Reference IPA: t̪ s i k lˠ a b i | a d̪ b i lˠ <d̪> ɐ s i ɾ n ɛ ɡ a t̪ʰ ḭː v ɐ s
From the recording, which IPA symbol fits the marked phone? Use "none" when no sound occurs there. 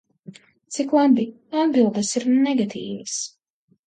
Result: d̪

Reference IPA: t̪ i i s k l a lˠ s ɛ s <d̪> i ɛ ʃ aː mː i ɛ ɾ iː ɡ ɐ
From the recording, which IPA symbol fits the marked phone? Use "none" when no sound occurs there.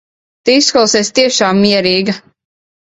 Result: t̪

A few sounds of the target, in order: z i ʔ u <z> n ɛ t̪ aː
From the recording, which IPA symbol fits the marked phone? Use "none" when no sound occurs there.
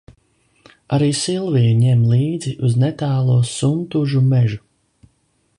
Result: z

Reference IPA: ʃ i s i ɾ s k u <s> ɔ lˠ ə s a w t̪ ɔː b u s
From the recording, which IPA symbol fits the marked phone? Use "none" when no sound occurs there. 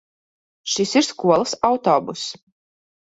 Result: none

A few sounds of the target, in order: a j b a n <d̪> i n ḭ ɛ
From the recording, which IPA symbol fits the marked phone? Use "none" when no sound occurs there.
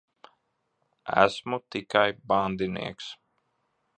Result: d̪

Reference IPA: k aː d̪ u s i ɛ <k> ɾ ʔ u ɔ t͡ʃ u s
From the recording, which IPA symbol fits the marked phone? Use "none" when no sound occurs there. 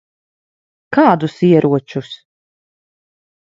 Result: none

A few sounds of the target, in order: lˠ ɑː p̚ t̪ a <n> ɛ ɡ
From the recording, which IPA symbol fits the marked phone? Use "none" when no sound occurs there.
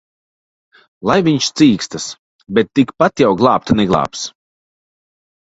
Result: n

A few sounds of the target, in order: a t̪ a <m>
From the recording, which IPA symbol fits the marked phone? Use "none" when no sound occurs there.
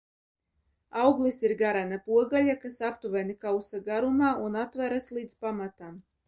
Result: m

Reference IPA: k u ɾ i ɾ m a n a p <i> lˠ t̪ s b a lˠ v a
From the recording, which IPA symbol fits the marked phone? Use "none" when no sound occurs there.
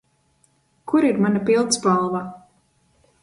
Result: i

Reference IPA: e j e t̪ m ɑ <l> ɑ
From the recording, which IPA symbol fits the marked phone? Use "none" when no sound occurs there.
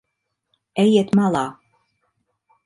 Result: l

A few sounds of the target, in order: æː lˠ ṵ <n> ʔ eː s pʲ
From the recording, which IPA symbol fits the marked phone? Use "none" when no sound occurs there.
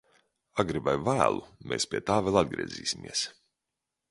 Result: m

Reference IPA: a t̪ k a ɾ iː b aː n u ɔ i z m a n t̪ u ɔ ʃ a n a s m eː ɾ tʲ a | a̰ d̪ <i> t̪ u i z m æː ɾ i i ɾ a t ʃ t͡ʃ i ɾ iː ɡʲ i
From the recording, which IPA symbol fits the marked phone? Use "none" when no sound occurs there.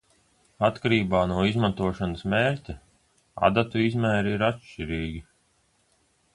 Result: a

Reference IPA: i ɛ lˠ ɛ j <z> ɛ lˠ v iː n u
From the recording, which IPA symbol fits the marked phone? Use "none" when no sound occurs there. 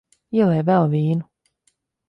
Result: v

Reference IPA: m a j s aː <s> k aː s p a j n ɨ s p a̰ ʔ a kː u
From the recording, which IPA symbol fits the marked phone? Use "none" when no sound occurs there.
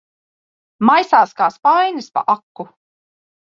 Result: s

